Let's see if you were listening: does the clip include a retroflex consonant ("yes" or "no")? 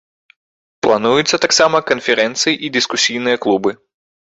no